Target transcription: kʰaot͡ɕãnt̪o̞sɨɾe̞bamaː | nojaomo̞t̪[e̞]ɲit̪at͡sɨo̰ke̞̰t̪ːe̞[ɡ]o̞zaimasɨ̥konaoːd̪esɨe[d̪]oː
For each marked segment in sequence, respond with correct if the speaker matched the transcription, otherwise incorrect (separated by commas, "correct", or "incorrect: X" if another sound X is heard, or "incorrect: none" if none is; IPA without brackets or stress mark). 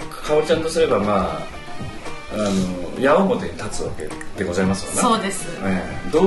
correct, correct, correct